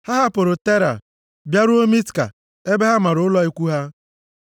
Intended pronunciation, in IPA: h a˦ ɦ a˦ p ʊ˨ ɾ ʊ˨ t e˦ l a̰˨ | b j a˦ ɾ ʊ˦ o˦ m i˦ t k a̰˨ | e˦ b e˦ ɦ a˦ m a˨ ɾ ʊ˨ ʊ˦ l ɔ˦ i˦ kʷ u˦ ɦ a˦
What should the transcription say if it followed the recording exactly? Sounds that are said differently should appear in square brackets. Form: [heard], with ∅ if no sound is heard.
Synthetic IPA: h a˦ ɦ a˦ p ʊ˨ ɾ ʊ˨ t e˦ [ɾ] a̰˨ | b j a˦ ɾ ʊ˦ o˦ m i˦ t k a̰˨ | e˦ b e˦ ɦ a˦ m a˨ ɾ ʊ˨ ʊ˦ l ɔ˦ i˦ kʷ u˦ ɦ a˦